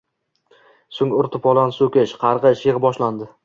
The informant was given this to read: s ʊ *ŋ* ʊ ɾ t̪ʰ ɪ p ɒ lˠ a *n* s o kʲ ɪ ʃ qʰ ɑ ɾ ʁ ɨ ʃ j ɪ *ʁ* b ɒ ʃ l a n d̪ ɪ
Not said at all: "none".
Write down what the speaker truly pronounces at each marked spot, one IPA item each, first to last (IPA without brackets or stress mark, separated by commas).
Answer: ŋ, n, ʁ